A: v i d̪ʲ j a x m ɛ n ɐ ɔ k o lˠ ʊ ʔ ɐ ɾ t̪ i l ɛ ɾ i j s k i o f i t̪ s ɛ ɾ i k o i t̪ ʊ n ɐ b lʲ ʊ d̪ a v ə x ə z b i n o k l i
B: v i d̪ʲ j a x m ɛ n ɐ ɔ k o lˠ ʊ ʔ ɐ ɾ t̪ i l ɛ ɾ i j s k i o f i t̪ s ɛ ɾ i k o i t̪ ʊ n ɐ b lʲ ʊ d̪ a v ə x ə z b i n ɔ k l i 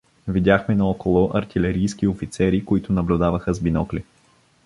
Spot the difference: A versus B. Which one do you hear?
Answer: B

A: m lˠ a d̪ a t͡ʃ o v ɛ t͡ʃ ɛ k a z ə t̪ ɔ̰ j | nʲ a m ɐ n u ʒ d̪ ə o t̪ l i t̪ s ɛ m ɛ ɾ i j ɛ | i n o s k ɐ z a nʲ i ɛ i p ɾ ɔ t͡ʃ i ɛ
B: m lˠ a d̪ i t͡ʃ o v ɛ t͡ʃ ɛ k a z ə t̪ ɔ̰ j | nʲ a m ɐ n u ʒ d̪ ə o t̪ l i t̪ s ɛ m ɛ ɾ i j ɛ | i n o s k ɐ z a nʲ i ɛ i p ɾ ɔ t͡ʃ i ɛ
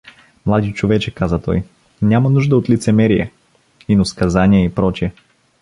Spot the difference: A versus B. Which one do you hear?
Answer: B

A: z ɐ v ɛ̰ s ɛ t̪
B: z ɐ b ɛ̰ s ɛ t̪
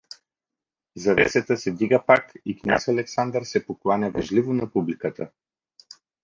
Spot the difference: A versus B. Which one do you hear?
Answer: A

